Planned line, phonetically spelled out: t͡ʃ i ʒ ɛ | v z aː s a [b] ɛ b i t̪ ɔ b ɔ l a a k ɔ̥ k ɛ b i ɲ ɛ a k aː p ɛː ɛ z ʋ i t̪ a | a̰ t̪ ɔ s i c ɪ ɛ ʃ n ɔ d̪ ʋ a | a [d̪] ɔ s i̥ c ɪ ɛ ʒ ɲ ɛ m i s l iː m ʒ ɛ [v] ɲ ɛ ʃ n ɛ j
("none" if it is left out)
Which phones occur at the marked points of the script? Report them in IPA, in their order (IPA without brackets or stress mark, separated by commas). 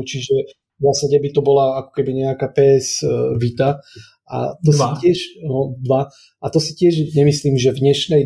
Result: ɟ, t̪, v